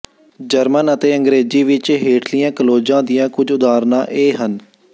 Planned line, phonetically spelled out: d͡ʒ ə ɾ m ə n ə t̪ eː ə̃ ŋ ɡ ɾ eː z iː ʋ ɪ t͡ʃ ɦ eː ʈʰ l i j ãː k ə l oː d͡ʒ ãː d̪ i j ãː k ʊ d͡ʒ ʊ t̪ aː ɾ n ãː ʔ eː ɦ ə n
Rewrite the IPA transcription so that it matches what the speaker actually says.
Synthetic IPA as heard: d͡ʒ ə ɾ m ə n ə t̪ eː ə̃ ŋ ɡ ɾ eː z iː ʋ ɪ t͡ʃ ɦ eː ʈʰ l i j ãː k ə l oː d͡ʒ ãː d̪ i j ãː k ʊ d͡ʒ ʊ d̪ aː ɾ n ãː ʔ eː ɦ ə n

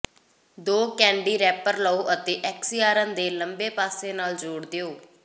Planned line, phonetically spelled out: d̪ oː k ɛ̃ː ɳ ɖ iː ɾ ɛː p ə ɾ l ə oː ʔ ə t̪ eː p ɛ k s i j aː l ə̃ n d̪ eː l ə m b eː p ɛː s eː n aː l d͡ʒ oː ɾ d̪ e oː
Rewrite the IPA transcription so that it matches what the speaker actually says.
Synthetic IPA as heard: d̪ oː k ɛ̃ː ɳ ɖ iː ɾ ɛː p ə ɾ l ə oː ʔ ə t̪ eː ʔ ɛ k s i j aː ɾ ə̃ n d̪ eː l ə m b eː p aː s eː n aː l d͡ʒ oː ɽ d̪ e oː

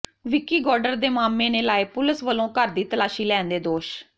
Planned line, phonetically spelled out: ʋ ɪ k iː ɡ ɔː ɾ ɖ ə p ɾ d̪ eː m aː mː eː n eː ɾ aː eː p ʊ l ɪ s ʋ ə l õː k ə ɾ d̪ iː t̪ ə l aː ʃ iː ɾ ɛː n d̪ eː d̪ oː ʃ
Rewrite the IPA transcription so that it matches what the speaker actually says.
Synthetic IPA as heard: ʋ ɪ k iː ɡ ɔː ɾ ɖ ə ɾ d̪ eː m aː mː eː n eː l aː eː p ʊ l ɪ s ʋ ə l õː k ə ɾ d̪ iː t̪ ə l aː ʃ iː l ɛː n d̪ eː d̪ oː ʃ

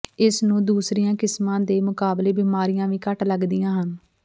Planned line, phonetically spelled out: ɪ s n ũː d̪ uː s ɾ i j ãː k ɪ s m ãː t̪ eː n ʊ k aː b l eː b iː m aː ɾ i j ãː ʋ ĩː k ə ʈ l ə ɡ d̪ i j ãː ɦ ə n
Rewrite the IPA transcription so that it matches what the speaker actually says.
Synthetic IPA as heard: ɪ s n ũː d̪ uː s ɾ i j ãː k ɪ s m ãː d̪ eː m ʊ k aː b l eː b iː m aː ɾ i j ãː ʋ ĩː k ə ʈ l ə ɡ d̪ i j ãː ɦ ə n

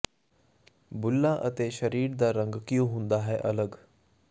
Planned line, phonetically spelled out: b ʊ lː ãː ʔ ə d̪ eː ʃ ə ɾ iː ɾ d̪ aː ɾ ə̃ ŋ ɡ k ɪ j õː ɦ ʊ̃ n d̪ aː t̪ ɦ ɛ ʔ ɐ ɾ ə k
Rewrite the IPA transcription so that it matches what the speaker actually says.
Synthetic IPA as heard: b ʊ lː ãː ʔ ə t̪ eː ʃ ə ɾ iː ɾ d̪ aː ɾ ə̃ ŋ ɡ k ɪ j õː ɦ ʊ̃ n d̪ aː ɦ ɛ ʔ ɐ l ə ɡ

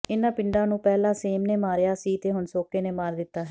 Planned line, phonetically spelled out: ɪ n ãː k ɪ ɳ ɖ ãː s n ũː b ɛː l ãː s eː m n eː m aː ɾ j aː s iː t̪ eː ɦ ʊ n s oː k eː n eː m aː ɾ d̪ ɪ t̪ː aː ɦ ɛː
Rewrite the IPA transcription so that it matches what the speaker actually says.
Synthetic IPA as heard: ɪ n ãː p ɪ ɳ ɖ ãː n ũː p ɛː l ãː s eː m n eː m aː ɾ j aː s iː t̪ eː ɦ ʊ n s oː k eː n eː m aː ɾ d̪ ɪ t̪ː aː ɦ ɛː

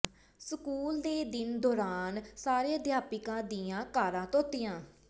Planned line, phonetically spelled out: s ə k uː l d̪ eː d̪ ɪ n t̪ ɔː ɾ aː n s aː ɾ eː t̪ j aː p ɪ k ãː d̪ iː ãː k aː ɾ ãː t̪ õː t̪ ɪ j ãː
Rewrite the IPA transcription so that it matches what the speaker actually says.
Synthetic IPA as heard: s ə k uː l d̪ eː d̪ ɪ n d̪ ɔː ɾ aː n s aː ɾ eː d̪ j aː p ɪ k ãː d̪ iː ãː k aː ɾ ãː t̪ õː t̪ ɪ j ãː

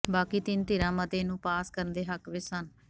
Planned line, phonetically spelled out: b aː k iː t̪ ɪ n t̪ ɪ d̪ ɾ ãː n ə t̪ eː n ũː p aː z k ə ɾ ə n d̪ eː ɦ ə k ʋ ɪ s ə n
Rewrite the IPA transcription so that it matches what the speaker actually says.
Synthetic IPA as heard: b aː k iː t̪ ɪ n t̪ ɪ ɾ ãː m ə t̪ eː n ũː p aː s k ə ɾ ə n d̪ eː ɦ ə k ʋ ɪ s ə n

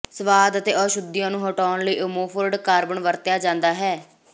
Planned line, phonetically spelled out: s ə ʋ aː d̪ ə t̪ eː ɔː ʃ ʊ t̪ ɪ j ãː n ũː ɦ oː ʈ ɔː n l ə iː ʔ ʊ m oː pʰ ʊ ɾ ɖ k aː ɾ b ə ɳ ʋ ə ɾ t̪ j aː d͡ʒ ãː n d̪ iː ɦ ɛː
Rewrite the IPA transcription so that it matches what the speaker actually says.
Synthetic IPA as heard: s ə ʋ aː d̪ ə t̪ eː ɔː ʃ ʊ d̪ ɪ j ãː n ũː ɦ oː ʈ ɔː n l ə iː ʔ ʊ m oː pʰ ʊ ɾ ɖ k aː ɾ b ə ɳ ʋ ə ɾ t̪ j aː d͡ʒ ãː n d̪ aː ɦ ɛː

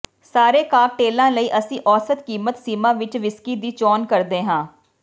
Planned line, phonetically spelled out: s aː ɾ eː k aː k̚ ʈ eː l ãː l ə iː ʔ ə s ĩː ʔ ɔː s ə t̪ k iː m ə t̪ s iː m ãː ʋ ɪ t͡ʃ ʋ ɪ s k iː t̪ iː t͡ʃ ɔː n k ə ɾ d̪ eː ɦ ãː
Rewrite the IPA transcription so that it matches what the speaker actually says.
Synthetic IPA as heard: s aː ɾ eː k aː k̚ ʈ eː l ãː l ə iː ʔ ə s ĩː ʔ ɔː s ə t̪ k iː m ə t̪ s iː m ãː ʋ ɪ t͡ʃ ʋ ɪ s k iː d̪ iː t͡ʃ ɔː n k ə ɾ d̪ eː ɦ ãː

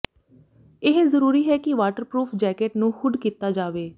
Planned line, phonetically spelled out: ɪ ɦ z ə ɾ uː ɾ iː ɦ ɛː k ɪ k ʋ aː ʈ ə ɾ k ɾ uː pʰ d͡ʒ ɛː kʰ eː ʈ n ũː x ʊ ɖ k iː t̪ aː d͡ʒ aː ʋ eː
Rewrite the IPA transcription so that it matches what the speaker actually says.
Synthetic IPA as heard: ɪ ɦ z ə ɾ uː ɾ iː ɦ ɛː k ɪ ʋ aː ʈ ə ɾ p ɾ uː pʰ d͡ʒ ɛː k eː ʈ n ũː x ʊ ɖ k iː t̪ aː d͡ʒ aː ʋ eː

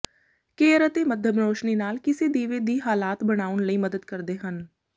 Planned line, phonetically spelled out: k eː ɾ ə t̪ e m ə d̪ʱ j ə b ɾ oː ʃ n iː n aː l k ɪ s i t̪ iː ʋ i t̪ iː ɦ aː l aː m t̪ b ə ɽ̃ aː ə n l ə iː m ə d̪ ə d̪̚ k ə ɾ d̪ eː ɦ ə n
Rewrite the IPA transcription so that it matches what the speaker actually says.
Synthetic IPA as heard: k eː ɾ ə t̪ e m ə d̪ʱ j ə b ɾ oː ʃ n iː n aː l k ɪ s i d̪ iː ʋ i d̪ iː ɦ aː l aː t̪ b ə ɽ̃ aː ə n l ə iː m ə d̪ ə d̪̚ k ə ɾ d̪ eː ɦ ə n

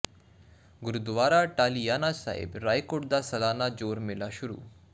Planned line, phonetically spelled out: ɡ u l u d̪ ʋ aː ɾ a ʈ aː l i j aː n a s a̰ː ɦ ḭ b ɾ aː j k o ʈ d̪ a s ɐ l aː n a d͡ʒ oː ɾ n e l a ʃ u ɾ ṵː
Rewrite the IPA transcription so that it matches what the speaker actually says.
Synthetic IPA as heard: ɡ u ɾ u d̪ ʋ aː ɾ a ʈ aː l i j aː n a s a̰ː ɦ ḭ b ɾ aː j k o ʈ d̪ a s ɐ l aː n a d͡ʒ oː ɾ m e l a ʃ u ɾ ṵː

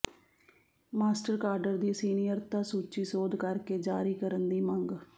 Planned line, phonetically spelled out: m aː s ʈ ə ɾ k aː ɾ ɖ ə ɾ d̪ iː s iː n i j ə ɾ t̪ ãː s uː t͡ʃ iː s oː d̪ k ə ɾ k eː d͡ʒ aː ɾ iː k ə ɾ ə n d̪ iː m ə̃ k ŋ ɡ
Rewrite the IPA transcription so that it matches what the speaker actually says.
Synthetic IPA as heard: m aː s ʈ ə ɾ k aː ɾ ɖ ə ɾ d̪ iː s iː n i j ə ɾ t̪ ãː s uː t͡ʃ iː s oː d̪ k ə ɾ k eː d͡ʒ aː ɾ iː k ə ɾ ə n d̪ iː m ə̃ ŋ ɡ

